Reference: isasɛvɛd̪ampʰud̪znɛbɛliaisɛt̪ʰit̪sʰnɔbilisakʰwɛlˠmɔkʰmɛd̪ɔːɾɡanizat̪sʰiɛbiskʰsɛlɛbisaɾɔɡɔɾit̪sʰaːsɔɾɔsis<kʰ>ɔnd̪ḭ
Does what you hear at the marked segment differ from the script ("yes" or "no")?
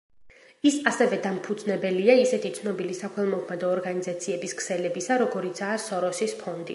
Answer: yes